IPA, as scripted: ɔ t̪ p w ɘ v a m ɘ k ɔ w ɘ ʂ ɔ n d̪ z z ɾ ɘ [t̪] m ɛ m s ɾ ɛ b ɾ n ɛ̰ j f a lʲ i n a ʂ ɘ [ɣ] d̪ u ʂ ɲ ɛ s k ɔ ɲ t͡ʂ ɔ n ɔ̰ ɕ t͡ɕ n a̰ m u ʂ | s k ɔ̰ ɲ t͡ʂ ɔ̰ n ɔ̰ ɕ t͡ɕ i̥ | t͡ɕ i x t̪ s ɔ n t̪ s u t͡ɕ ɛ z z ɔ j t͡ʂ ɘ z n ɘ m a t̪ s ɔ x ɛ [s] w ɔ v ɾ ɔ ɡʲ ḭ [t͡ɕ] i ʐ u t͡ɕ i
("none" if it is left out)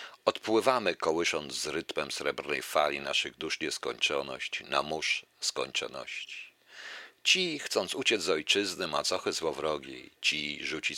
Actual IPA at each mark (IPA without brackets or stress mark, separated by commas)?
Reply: t̪, ɣ, z, t͡ɕ